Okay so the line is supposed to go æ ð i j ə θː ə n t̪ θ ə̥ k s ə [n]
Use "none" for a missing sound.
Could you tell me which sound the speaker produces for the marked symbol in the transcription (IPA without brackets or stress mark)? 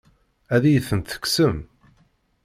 m